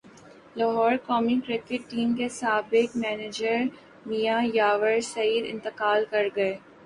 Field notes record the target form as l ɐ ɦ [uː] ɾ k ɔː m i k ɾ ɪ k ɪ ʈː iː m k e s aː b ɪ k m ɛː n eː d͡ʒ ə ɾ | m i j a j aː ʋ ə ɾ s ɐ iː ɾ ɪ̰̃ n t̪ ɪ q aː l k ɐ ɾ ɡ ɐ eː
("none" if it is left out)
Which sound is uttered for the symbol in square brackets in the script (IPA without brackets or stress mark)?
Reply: ɔː